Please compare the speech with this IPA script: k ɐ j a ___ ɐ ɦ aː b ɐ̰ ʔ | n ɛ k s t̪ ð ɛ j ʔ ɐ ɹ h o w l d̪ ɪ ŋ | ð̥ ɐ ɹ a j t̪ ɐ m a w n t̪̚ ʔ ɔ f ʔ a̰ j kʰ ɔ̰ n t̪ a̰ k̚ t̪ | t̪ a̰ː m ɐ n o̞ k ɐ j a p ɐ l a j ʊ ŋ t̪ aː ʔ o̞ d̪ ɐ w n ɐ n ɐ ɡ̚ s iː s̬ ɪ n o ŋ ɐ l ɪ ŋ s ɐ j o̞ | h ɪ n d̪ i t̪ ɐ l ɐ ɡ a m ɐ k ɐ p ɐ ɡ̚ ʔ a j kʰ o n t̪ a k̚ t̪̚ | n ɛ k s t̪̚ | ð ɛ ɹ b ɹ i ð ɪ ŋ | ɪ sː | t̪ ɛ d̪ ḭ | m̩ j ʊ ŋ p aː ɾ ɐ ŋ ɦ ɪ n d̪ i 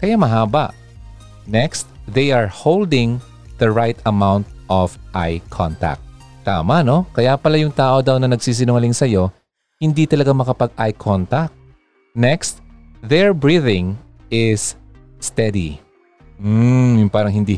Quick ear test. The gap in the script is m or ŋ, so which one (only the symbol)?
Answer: m